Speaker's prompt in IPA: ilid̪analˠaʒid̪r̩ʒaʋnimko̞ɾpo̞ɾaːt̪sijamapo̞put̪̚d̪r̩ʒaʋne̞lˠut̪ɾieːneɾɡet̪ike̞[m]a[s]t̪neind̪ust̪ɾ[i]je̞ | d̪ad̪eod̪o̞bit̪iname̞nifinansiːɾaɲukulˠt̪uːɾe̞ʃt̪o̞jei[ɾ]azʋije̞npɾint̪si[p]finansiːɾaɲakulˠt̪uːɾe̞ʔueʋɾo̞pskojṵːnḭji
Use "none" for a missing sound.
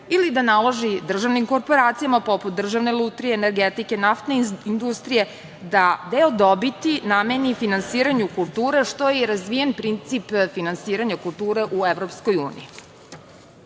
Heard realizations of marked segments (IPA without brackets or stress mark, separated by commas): n, f, i, ɾ, p